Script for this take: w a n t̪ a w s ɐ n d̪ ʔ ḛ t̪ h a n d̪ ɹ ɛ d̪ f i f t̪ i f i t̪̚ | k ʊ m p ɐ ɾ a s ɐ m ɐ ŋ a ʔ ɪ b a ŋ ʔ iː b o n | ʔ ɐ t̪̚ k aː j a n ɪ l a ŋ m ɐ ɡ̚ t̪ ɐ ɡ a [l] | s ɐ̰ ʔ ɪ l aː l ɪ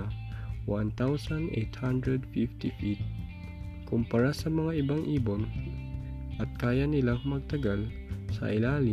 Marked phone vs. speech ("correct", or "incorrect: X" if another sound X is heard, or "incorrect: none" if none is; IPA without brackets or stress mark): correct